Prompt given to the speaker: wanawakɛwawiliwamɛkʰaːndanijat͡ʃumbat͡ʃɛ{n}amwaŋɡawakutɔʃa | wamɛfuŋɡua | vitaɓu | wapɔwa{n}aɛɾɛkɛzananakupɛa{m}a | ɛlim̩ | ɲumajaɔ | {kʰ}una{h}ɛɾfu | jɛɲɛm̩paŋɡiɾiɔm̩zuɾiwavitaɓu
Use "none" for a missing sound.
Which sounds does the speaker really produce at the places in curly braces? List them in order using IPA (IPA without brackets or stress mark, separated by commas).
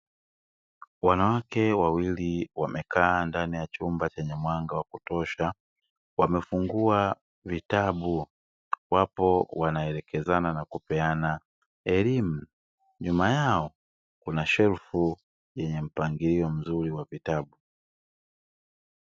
ɲ, n, n, k, ʃ